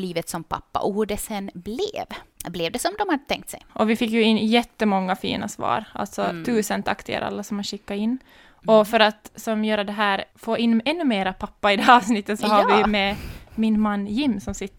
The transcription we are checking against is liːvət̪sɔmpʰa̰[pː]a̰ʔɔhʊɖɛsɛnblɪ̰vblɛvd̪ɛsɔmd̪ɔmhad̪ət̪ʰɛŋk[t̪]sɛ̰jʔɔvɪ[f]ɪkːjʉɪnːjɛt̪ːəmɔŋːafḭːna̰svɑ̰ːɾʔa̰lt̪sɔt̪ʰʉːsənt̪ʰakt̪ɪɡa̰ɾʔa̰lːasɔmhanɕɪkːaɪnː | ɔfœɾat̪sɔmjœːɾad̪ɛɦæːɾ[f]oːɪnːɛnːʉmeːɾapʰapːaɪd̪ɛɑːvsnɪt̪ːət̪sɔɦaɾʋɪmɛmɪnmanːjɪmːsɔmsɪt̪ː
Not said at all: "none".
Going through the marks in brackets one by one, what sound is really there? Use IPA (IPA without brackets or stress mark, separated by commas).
pː, t̪, f, f